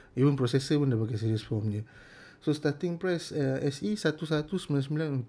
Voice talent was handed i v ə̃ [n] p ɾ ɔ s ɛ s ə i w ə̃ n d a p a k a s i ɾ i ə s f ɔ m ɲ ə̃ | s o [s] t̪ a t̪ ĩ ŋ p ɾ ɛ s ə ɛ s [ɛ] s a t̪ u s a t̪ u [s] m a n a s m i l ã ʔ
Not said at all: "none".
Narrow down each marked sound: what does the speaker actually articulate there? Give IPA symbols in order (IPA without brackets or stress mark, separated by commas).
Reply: n, s, i, s